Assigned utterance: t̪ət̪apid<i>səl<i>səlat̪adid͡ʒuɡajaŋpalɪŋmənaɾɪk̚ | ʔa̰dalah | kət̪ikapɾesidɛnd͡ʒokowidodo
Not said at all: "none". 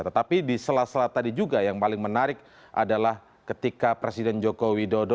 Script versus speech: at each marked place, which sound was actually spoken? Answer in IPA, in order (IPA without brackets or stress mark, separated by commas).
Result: i, a